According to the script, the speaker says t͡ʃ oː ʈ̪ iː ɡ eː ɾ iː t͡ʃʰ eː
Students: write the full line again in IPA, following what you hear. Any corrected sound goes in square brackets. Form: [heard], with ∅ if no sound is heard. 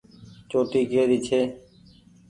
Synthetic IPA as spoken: t͡ʃ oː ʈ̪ iː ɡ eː ɾ iː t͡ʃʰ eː